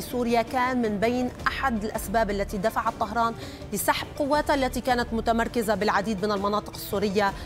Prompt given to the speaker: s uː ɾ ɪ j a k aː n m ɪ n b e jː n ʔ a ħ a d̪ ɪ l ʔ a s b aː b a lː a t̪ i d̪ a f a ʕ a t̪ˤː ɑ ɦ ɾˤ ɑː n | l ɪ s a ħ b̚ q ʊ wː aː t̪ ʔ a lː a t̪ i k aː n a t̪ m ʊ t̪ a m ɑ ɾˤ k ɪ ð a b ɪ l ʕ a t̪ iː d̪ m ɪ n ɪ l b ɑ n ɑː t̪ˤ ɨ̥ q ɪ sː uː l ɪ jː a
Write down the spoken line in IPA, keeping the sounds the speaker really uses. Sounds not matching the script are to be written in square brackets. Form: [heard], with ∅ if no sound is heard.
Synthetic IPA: s uː ɾ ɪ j a k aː n m ɪ n b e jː n ʔ a ħ a d̪ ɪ l ʔ a s b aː b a lː a t̪ i d̪ a f a ʕ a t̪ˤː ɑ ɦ ɾˤ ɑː n | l ɪ s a ħ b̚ q ʊ wː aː t̪ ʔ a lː a t̪ i k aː n a t̪ m ʊ t̪ a m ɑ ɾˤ k ɪ [z] a b ɪ l ʕ a [d̪] iː d̪ m ɪ n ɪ l [m] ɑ n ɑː t̪ˤ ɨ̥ q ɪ sː uː [ɾ] ɪ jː a